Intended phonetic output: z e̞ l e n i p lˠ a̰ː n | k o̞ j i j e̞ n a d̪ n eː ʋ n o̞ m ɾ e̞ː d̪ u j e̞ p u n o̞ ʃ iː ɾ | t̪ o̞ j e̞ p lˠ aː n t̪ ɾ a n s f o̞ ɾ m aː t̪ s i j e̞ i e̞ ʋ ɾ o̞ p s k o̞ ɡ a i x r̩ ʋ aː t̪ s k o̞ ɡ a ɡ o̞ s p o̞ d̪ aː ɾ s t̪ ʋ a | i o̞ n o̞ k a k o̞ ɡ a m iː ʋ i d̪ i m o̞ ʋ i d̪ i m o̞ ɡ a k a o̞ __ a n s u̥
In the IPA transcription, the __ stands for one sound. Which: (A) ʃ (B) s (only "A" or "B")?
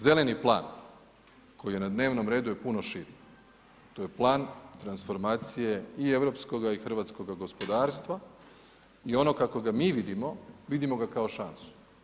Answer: A